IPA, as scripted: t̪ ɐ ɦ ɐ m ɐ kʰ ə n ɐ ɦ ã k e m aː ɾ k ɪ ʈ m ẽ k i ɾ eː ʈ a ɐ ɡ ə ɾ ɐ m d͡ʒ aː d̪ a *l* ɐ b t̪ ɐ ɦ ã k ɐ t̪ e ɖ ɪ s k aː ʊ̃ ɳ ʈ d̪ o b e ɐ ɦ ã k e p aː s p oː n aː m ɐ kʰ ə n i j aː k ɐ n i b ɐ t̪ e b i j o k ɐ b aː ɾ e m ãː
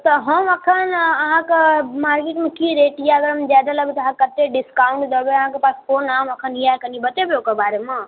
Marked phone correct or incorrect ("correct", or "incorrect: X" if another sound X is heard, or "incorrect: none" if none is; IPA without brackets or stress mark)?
correct